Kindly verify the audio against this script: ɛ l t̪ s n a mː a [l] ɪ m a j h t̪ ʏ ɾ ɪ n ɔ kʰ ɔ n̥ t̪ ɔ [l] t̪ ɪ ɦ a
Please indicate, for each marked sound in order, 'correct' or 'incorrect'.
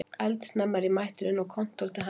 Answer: incorrect, correct

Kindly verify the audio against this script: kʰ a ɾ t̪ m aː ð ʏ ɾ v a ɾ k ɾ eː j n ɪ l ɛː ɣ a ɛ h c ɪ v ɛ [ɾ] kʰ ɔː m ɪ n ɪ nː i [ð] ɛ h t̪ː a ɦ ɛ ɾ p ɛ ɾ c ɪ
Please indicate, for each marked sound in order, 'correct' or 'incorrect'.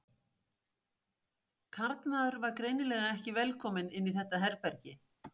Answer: incorrect, incorrect

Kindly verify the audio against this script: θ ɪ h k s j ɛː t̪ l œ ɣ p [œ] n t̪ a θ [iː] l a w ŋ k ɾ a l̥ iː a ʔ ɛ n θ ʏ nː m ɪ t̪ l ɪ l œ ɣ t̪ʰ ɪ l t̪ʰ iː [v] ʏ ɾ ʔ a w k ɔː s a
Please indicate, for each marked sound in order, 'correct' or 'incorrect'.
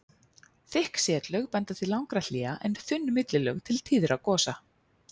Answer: incorrect, incorrect, incorrect

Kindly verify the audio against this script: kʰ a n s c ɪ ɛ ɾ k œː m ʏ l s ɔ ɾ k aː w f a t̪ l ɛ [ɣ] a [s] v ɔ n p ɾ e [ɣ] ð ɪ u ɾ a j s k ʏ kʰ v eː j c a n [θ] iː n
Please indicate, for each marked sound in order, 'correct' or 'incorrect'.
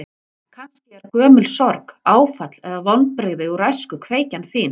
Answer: incorrect, incorrect, correct, correct

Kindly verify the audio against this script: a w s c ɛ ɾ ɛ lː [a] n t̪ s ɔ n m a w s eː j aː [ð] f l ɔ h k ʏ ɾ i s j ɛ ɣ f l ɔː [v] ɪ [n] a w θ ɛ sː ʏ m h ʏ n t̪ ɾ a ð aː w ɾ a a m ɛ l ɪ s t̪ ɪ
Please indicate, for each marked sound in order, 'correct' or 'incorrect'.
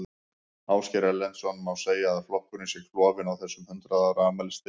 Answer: incorrect, correct, correct, correct

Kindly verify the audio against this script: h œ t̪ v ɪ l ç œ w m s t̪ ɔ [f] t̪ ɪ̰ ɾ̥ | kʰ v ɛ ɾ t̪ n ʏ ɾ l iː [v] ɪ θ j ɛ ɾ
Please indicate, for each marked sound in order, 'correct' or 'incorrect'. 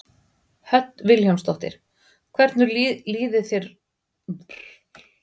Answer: incorrect, incorrect

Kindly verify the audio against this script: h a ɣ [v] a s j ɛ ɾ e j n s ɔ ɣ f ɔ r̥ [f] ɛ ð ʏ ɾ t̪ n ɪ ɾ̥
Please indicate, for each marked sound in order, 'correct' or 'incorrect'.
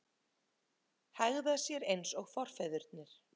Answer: incorrect, correct

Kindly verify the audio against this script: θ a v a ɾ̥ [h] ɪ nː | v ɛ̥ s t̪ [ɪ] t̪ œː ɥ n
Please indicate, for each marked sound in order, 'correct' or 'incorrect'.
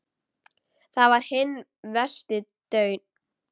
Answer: correct, correct

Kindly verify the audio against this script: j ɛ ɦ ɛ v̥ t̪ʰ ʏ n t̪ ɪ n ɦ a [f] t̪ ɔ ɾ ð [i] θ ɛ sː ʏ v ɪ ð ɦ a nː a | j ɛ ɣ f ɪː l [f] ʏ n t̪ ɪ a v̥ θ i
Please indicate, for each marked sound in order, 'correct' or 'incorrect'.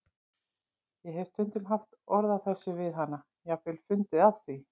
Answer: correct, incorrect, correct

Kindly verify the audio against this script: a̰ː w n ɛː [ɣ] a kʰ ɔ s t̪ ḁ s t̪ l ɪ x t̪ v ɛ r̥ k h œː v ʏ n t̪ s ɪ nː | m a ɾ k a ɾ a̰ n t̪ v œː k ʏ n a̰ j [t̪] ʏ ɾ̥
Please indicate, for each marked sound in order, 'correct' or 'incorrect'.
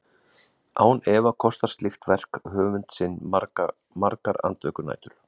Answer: incorrect, correct

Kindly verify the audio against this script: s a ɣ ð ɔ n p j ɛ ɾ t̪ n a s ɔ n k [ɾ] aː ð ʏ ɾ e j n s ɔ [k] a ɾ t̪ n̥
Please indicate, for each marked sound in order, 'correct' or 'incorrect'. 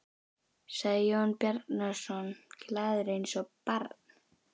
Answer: incorrect, incorrect

